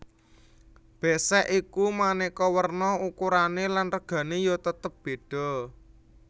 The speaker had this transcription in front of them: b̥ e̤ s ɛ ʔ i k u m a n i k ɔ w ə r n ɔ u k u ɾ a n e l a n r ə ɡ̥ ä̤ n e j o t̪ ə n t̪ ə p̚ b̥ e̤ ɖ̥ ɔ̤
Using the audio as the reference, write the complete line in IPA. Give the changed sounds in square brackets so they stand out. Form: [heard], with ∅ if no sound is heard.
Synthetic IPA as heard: b̥ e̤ s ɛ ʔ i k u m a n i k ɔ w ə r n ɔ u k u ɾ a n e l a n r ə ɡ̥ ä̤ n e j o t̪ ə [∅] t̪ ə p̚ b̥ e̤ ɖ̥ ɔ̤